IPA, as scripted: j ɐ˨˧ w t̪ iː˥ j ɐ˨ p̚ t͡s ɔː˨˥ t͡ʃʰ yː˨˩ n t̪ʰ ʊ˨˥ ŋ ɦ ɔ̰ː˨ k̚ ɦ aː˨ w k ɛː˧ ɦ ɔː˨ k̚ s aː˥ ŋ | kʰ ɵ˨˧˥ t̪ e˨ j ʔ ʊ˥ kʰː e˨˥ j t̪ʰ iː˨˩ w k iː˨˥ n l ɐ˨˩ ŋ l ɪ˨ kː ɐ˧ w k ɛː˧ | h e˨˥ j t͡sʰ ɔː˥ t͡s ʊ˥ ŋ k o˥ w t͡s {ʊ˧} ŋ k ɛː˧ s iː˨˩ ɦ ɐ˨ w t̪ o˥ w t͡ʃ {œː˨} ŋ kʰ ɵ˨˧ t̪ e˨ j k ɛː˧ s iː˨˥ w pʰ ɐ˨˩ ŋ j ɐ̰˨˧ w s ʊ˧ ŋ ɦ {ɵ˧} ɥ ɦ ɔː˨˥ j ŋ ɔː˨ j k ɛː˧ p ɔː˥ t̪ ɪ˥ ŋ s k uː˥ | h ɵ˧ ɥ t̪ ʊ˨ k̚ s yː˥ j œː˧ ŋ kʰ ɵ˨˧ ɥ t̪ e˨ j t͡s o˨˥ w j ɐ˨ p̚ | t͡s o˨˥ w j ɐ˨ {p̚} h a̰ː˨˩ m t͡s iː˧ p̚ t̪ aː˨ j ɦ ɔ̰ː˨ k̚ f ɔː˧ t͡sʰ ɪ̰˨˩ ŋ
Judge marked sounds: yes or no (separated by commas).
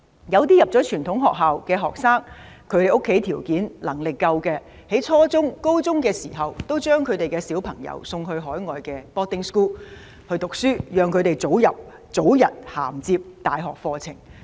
no, no, yes, no